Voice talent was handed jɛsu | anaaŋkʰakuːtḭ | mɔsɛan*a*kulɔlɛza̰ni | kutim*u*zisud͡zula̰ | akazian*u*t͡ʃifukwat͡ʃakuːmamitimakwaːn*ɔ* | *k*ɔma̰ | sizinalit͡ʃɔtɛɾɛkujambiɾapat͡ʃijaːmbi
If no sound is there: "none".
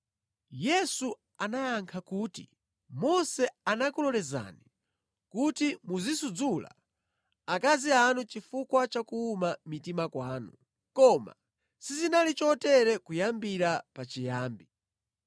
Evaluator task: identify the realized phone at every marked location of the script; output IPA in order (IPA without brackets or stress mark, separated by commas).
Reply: a, u, u, u, k